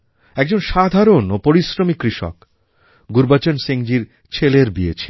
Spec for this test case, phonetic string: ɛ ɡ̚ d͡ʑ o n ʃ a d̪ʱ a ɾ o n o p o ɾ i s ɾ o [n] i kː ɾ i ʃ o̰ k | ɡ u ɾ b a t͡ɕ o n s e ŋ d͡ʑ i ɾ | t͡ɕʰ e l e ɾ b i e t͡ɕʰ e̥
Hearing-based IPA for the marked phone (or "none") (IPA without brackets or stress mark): m